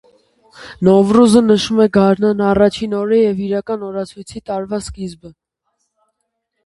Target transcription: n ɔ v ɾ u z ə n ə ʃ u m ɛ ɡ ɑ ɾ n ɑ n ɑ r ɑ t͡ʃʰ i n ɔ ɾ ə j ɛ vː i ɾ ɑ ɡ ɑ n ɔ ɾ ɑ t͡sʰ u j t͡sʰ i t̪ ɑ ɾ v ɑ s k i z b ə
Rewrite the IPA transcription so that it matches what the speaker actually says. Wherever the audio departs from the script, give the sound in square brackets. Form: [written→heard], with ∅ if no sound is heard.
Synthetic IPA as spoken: n ɔ v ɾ u z ə n ə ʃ u m ɛ ɡ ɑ ɾ n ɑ n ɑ r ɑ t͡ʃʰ i n ɔ ɾ ə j ɛ [vː→v] i ɾ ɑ [ɡ→k] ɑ n ɔ ɾ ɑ t͡sʰ u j t͡sʰ i t̪ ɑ ɾ v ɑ s k i z b ə

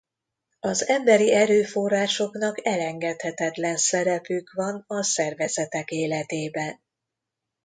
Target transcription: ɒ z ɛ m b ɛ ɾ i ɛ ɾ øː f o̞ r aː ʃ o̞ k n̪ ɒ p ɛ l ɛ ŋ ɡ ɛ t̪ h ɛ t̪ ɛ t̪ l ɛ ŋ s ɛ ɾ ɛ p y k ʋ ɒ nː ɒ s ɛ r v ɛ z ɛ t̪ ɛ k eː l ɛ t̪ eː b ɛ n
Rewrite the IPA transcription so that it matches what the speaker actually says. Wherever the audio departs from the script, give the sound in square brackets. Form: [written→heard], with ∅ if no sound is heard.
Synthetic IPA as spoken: ɒ z ɛ m b ɛ ɾ i ɛ ɾ øː f o̞ r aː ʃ o̞ k n̪ ɒ [p→k] ɛ l ɛ ŋ ɡ ɛ t̪ h ɛ t̪ ɛ t̪ l ɛ [ŋ→n] s ɛ ɾ ɛ p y k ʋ ɒ [nː→n] ɒ s ɛ r v ɛ z ɛ t̪ ɛ k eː l ɛ t̪ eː b ɛ n

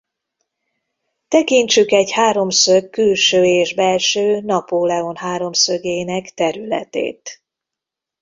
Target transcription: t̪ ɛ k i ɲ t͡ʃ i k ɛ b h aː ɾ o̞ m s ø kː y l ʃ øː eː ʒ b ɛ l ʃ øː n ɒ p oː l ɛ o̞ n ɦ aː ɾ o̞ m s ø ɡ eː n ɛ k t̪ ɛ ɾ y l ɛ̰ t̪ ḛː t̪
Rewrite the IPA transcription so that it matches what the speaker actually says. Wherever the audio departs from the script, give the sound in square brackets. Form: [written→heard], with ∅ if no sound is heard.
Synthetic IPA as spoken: t̪ ɛ k i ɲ t͡ʃ [i→y] k ɛ [b→ɟ] h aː ɾ o̞ m s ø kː y l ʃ øː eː ʒ b ɛ l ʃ øː n ɒ p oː l ɛ o̞ n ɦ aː ɾ o̞ m s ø ɡ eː n ɛ k t̪ ɛ ɾ y l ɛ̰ t̪ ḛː t̪

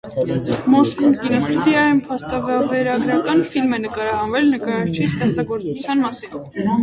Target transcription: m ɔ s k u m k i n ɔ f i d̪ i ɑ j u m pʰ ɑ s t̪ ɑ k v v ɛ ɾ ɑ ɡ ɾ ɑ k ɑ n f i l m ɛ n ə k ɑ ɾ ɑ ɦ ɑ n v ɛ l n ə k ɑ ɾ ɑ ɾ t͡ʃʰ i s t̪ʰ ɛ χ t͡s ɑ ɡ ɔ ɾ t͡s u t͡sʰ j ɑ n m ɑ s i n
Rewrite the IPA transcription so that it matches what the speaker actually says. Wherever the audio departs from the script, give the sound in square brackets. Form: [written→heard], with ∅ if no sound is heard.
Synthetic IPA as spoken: m ɔ s k u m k i n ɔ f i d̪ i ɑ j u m pʰ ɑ s t̪ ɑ [k→∅] v v ɛ ɾ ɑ ɡ ɾ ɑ k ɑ n f i l m ɛ n ə k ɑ ɾ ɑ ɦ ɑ n v ɛ l n ə k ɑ ɾ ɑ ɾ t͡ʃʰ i s [t̪ʰ→t̪] ɛ χ t͡s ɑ ɡ ɔ ɾ t͡s u t͡sʰ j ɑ n m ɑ s i n

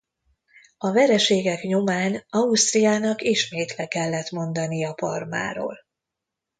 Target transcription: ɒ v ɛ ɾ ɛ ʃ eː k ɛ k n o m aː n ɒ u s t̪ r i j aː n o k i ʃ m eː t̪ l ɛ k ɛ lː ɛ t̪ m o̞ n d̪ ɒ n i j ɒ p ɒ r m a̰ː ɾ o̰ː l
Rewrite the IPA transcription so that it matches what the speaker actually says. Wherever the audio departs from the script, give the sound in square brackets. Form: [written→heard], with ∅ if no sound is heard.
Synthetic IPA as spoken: ɒ v ɛ ɾ ɛ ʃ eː [k→ɡ] ɛ k [n→ɲ] o m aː n ɒ u s t̪ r i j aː n [o→ɒ] k i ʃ m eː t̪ l ɛ k ɛ lː ɛ t̪ m o̞ n d̪ ɒ n i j ɒ p ɒ r m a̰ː ɾ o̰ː l

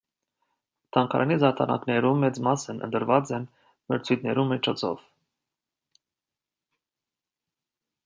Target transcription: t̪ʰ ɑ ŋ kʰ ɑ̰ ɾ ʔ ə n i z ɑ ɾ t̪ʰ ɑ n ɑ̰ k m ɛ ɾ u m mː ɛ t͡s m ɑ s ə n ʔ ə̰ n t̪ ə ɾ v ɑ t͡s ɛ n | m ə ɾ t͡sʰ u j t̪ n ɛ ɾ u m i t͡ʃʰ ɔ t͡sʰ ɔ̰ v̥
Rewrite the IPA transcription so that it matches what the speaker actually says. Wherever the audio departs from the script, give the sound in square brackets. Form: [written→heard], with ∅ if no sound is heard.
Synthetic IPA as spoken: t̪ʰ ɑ ŋ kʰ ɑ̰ ɾ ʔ [ə→ɑ] n i z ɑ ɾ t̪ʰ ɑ n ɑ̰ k [m→n] ɛ ɾ u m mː ɛ t͡s m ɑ s ə n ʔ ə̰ n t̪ ə ɾ v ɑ t͡s ɛ n | m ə ɾ t͡sʰ u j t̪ n ɛ ɾ u m i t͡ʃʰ ɔ t͡sʰ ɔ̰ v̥

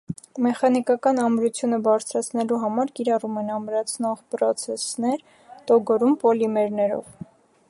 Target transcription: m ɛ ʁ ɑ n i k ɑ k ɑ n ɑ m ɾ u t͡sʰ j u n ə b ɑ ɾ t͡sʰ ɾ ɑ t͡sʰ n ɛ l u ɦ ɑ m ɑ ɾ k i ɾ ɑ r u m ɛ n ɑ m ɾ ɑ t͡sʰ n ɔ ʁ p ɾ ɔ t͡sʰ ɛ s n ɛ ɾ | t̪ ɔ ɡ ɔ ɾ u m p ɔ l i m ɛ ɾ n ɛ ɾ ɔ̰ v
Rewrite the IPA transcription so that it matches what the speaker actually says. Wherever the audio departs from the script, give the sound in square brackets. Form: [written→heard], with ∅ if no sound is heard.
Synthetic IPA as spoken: m ɛ [ʁ→χ] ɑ n i k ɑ k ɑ n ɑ m ɾ u t͡sʰ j u n ə b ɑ ɾ t͡sʰ ɾ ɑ t͡sʰ n ɛ l u ɦ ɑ m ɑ ɾ k i ɾ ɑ r u m ɛ n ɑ m ɾ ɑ t͡sʰ n ɔ ʁ p ɾ ɔ t͡sʰ ɛ s n ɛ ɾ | t̪ ɔ ɡ ɔ ɾ u m p ɔ l i m ɛ ɾ n ɛ ɾ ɔ̰ v

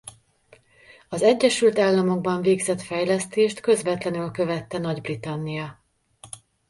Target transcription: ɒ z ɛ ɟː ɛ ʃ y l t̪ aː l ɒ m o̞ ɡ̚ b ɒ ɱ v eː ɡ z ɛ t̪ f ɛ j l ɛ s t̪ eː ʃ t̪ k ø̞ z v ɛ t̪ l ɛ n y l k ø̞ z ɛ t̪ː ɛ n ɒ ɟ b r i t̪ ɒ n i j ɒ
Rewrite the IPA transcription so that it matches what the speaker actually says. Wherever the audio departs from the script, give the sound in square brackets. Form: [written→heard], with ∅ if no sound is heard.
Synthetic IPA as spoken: ɒ z ɛ ɟː ɛ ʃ y l t̪ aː [l→lː] ɒ m o̞ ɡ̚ b ɒ ɱ v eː ɡ z ɛ t̪ f ɛ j l ɛ s t̪ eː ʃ t̪ k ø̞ z v ɛ t̪ l ɛ n y l k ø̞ [z→v] ɛ t̪ː ɛ n ɒ ɟ b r i t̪ ɒ [n→nː] i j ɒ

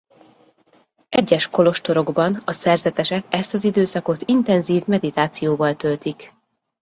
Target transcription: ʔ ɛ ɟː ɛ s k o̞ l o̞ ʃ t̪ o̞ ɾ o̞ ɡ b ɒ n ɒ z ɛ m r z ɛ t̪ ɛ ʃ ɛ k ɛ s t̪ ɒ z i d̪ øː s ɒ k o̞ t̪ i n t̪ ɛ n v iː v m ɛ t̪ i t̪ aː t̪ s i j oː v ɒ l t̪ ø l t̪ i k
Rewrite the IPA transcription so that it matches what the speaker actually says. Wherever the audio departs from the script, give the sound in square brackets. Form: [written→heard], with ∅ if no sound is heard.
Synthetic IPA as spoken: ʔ ɛ ɟː ɛ [s→ʃ] k o̞ l o̞ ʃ t̪ o̞ ɾ o̞ ɡ b ɒ n ɒ [z→s] ɛ [m→∅] r z ɛ t̪ ɛ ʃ ɛ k ɛ s t̪ ɒ z i d̪ øː s ɒ k o̞ t̪ i n t̪ ɛ n [v→z] iː v m ɛ [t̪→d̪] i t̪ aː t̪ s i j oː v ɒ l t̪ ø l t̪ i k

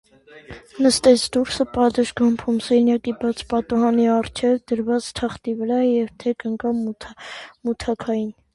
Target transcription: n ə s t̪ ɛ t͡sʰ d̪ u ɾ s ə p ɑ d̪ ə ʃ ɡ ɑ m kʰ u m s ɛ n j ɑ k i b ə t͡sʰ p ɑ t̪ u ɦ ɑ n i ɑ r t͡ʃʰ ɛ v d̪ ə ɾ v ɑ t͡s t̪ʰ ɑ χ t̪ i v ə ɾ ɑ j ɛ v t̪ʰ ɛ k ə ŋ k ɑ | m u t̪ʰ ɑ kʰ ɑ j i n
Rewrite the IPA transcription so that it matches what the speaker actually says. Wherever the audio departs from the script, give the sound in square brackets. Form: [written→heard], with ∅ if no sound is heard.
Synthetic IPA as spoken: n ə s t̪ ɛ t͡sʰ d̪ u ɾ s ə p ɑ d̪ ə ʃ ɡ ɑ m [kʰ→pʰ] u m s ɛ n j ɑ k i b [ə→ɑ] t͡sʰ p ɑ t̪ u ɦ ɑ n i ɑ r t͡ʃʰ ɛ v d̪ ə ɾ v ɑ t͡s t̪ʰ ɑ χ t̪ i v ə ɾ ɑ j ɛ v t̪ʰ ɛ k ə ŋ k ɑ | m u t̪ʰ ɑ kʰ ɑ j i n

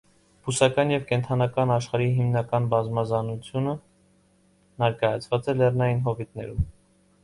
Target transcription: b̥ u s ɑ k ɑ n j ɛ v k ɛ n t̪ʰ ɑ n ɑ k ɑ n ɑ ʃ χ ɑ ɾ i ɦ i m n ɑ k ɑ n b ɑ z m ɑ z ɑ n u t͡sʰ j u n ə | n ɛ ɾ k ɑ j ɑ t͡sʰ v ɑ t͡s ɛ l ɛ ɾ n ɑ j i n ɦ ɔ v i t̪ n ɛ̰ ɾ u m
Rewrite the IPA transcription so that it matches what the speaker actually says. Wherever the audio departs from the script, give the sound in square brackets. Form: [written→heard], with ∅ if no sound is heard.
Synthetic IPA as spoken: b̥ u s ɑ k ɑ n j ɛ v k ɛ n t̪ʰ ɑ n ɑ k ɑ n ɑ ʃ χ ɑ ɾ i ɦ i m n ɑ k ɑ n b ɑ z m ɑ z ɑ n u t͡sʰ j u n ə | n ɛ ɾ k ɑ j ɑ t͡sʰ v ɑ t͡s ɛ l ɛ [ɾ→r] n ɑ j i n ɦ ɔ v i t̪ n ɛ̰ ɾ u m

